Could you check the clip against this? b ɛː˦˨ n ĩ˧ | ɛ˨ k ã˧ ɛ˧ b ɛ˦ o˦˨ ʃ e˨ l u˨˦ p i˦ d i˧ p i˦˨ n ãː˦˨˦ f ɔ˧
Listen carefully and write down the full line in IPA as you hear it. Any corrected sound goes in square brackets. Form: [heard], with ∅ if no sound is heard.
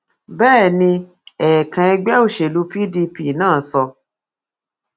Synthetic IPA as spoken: b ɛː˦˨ n ĩ˧ | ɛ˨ k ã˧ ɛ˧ [ɡ͡b] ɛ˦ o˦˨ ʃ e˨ l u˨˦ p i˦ d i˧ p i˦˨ n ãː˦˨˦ [s] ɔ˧